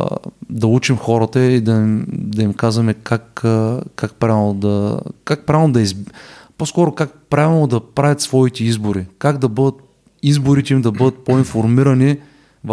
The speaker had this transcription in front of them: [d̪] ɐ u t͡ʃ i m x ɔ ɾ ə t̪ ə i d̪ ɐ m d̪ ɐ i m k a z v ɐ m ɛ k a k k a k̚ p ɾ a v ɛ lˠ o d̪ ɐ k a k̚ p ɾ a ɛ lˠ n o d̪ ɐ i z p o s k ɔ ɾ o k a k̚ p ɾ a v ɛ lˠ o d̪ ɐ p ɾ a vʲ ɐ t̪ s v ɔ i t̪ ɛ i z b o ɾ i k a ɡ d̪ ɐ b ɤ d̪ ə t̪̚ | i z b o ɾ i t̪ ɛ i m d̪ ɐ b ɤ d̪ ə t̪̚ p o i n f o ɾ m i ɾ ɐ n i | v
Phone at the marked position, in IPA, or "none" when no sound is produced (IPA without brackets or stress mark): d̪